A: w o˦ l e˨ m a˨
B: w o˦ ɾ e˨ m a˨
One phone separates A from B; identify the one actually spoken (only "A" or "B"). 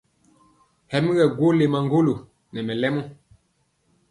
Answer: A